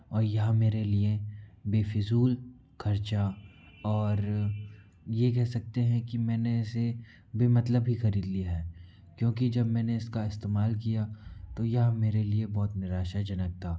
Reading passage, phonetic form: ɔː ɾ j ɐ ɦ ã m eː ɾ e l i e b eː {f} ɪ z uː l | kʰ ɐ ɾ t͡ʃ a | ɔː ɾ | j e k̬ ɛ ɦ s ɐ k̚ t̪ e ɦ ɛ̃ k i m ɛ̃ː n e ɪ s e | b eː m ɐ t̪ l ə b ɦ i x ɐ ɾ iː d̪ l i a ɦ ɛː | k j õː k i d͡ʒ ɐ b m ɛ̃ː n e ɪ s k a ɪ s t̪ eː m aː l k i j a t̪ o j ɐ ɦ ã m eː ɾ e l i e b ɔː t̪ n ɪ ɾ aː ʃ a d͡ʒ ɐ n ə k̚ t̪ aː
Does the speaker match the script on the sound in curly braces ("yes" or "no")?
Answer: yes